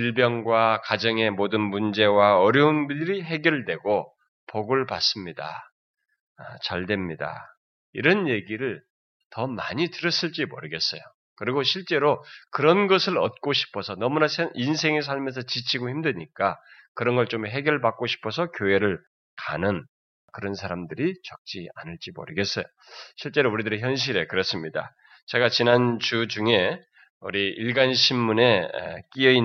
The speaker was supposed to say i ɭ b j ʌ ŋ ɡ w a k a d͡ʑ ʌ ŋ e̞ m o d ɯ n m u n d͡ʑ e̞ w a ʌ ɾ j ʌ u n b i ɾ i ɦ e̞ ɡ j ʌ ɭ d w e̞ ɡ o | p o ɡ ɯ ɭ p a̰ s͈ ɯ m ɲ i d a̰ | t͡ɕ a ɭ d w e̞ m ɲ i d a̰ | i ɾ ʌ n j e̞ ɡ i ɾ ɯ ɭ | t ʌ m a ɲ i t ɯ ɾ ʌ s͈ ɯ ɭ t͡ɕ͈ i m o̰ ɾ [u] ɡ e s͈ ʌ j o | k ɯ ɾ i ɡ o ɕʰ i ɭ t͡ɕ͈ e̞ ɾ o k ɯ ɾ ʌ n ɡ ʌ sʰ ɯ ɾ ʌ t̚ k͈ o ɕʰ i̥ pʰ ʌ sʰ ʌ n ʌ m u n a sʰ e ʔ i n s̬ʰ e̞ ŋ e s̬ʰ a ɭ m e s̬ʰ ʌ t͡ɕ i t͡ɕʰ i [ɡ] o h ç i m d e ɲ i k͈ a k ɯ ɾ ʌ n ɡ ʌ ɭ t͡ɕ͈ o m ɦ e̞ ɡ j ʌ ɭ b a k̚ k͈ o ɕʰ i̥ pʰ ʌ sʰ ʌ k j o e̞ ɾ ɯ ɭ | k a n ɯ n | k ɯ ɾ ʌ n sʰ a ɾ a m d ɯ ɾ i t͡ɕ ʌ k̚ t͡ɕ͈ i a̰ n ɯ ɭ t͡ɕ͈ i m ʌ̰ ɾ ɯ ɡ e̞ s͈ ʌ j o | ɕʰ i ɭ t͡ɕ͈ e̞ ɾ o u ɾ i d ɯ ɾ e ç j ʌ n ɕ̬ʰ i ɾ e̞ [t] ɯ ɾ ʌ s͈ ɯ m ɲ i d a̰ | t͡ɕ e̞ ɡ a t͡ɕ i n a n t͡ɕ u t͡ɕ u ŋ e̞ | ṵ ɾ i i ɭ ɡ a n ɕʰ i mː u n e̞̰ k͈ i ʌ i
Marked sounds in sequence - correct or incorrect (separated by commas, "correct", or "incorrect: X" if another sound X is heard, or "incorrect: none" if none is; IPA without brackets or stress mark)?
incorrect: ɯ, correct, incorrect: k